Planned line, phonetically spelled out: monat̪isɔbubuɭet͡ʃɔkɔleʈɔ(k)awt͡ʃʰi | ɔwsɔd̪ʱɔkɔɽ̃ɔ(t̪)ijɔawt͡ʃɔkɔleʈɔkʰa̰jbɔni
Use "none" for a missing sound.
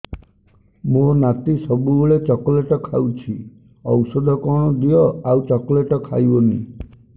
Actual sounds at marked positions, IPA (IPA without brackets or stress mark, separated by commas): kʰ, d̪